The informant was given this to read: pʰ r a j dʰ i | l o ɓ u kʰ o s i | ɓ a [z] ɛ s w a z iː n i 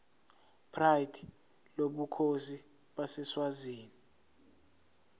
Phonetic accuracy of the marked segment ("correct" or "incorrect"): incorrect